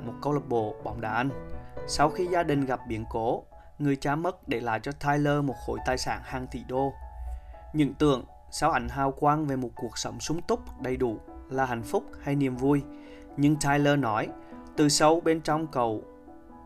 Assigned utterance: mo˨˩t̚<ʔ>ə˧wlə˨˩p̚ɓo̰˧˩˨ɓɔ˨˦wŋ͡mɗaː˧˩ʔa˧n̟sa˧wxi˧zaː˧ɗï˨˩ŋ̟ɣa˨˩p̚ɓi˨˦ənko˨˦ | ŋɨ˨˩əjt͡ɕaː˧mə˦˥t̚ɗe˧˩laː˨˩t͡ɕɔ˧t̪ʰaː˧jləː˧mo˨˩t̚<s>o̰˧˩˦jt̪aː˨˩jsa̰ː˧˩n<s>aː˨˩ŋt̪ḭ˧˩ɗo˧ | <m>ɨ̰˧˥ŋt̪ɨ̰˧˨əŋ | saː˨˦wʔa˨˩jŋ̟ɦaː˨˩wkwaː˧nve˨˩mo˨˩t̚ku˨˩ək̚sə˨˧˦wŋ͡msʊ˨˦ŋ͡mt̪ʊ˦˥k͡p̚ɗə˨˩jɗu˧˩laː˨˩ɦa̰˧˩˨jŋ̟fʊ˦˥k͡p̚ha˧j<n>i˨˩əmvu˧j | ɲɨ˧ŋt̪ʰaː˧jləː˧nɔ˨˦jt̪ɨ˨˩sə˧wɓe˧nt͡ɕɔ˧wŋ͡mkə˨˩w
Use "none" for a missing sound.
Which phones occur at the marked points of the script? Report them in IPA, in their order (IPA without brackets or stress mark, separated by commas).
k, x, h, ɲ, n